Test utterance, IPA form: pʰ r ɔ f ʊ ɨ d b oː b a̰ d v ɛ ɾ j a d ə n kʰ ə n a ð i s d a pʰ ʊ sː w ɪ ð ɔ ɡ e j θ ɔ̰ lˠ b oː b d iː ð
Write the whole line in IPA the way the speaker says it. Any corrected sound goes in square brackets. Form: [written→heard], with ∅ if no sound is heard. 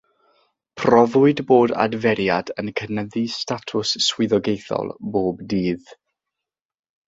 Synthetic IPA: pʰ r ɔ [f→v] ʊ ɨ d b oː [b→d] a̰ d v ɛ ɾ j a d ə n kʰ ə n [a→ə] ð i s [d→t] a [pʰ→tʰ] ʊ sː w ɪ ð ɔ ɡ e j θ ɔ̰ lˠ b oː b d iː ð